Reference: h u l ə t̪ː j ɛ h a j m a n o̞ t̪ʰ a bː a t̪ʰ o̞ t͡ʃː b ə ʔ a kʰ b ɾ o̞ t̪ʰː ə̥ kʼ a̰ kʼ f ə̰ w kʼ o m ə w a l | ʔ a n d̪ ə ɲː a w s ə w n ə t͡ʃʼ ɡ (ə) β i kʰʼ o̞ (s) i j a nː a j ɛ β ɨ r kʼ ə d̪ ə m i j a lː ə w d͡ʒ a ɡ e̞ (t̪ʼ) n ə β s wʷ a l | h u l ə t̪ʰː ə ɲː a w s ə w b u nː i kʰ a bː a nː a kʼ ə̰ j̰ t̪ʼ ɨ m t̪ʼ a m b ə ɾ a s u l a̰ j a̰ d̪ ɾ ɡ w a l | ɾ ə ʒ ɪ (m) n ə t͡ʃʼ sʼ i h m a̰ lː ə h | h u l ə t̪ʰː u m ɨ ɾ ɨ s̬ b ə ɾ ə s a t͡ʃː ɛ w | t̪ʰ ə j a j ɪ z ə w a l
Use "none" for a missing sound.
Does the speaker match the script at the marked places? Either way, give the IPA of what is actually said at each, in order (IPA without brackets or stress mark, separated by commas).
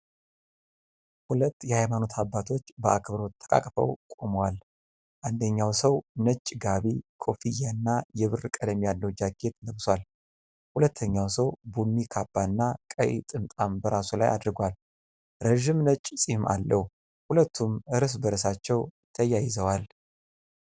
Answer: a, f, t̪, m